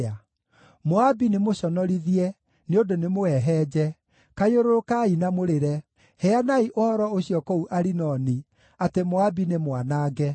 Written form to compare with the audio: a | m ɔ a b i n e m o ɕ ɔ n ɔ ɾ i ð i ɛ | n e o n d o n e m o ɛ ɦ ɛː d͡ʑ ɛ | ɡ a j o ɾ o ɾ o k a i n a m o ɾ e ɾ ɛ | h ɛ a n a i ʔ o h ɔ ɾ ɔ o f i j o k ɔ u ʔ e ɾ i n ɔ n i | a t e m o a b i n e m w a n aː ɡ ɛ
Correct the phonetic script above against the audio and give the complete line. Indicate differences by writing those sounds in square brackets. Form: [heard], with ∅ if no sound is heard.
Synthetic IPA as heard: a | m [o] a b i n e m o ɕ ɔ n ɔ ɾ i ð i ɛ | n e o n d o n e m o ɛ ɦ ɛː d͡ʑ ɛ | [k] a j o ɾ o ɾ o k a i n a m o ɾ e ɾ ɛ | h ɛ a n a i ʔ o h ɔ ɾ ɔ o [ɕ] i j [ɔ] k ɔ u ʔ [a] ɾ i n ɔ n i | a t e m o a b i n e m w a n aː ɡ ɛ